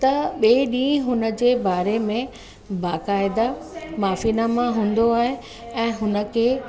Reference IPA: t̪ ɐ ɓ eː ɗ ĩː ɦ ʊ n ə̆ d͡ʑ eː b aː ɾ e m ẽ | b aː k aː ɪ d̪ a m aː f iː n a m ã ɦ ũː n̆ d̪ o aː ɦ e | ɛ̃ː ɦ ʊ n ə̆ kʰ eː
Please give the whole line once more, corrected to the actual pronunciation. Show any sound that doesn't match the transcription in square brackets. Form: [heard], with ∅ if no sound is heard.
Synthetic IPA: t̪ ɐ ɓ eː ɗ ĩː ɦ ʊ n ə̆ d͡ʑ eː b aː ɾ e m ẽ | b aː k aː ɪ d̪ a m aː f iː n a m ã ɦ ũː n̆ d̪ o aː ɦ e | ɛ̃ː ɦ ʊ n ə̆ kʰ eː